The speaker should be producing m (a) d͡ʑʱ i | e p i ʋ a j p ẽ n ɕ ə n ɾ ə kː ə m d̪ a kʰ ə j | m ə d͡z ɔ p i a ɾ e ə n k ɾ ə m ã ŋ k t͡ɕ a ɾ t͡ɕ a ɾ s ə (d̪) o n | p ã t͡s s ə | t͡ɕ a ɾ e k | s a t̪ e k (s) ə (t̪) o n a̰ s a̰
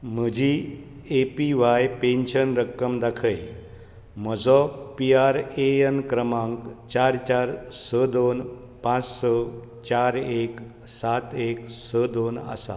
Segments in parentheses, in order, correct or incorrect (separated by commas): incorrect, correct, correct, incorrect